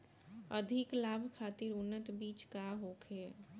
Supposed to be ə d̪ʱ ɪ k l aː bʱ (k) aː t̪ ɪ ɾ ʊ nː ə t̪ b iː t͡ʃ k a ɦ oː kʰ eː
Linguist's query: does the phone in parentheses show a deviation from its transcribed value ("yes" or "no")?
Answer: yes